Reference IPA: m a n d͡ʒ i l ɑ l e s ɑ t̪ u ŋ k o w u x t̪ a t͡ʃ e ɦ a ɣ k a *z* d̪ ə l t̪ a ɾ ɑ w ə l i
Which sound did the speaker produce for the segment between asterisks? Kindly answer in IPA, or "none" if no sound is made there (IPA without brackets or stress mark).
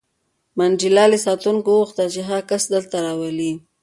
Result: s